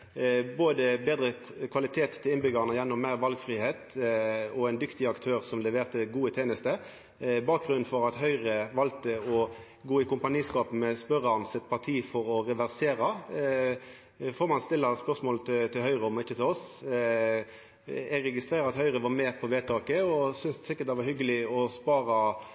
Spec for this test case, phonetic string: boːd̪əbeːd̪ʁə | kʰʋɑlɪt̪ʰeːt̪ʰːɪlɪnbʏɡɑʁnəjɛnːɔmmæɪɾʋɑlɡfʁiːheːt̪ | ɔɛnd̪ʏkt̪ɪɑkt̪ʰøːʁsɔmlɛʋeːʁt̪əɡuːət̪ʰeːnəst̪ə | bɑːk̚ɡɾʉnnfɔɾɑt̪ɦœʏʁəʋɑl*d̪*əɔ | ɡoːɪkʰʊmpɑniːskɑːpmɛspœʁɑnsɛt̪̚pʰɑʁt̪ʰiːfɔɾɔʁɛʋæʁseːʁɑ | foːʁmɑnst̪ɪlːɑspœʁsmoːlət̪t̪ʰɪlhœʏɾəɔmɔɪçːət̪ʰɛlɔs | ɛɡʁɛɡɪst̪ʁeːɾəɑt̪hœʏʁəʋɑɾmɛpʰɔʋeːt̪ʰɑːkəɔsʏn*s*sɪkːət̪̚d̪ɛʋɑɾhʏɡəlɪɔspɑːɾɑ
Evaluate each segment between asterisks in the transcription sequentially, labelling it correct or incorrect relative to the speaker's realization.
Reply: incorrect, correct

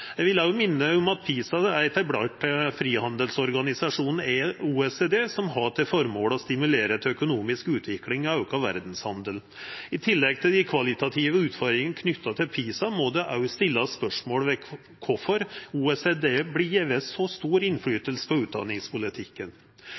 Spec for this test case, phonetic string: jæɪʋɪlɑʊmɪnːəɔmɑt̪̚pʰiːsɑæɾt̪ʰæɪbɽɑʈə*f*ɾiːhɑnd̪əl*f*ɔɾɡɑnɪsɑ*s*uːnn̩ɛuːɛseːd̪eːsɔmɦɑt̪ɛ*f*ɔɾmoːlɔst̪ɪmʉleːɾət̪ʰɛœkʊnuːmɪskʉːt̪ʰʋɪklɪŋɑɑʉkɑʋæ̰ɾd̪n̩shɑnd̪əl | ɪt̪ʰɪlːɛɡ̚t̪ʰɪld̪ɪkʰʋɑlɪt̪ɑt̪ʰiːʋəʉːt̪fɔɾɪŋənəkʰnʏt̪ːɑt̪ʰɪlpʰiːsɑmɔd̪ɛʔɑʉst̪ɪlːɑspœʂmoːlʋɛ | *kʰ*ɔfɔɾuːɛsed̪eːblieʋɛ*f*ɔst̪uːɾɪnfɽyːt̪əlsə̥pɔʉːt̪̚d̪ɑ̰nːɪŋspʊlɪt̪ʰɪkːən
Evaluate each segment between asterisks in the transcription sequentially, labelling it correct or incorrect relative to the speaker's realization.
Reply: correct, incorrect, incorrect, correct, correct, incorrect

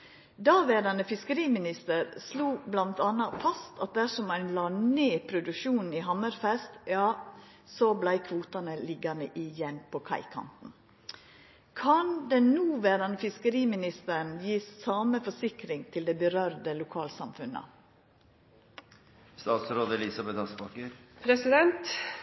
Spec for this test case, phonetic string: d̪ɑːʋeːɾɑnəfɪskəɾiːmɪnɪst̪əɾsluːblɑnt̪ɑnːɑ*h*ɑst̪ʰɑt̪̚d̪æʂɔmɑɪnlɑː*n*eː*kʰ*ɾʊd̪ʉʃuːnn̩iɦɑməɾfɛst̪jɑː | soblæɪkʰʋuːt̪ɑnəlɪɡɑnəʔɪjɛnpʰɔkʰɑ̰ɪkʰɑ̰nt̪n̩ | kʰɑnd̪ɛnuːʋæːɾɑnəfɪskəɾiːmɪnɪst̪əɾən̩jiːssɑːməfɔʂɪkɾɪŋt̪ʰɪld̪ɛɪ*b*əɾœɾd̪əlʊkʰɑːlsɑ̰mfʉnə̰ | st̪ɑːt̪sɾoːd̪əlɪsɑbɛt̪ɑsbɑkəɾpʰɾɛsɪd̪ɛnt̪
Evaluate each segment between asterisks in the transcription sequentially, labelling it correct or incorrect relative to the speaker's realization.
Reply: incorrect, correct, incorrect, correct

